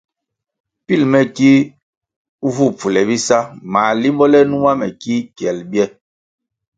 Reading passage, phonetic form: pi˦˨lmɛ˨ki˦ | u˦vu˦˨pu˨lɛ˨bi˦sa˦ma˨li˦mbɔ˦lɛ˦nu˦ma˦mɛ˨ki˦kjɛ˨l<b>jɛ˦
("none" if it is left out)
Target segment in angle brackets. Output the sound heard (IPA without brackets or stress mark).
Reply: b